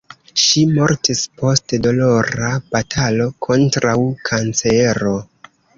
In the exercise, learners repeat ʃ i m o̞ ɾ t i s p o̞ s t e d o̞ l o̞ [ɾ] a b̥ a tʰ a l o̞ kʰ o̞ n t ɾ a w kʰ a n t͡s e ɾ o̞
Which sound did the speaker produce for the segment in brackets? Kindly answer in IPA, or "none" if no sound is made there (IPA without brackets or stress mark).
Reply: ɾ